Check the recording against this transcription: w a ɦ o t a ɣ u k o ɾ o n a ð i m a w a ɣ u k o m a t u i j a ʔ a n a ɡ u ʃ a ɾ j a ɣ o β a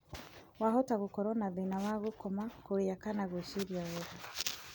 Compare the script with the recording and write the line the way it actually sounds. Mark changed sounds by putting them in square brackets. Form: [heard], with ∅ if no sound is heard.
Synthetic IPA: w a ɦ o t a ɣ u k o ɾ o n a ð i [n] a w a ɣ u k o m a [k] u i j a [k] a n a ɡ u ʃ [i] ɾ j a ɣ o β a